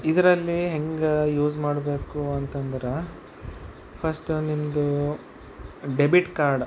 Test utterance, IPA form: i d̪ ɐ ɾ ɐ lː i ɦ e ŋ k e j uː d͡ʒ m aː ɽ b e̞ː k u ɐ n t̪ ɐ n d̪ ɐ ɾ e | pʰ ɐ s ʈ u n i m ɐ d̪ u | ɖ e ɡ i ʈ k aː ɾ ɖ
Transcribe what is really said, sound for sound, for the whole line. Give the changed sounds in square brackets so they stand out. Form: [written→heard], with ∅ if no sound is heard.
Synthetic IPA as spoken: i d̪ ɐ ɾ ɐ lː i ɦ e ŋ [k→ɡ] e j uː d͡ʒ m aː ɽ b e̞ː k u ɐ n t̪ ɐ n d̪ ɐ ɾ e | pʰ ɐ s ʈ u n i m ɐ d̪ u | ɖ e [ɡ→b] i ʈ k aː ɾ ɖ